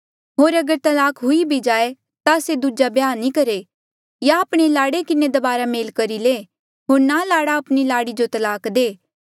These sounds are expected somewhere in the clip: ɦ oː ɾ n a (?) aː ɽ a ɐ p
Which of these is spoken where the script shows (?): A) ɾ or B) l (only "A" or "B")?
B